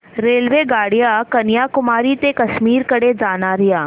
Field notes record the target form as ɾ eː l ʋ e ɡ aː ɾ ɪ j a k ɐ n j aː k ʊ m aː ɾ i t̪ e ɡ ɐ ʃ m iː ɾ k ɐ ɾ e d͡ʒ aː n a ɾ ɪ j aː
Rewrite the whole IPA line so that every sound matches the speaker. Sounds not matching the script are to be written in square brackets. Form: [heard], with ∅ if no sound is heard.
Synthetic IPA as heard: ɾ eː l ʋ e ɡ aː [ɽ] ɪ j a k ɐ n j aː k ʊ m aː ɾ i t̪ e [k] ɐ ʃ m iː ɾ k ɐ [ɽ] e d͡ʒ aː n a ɾ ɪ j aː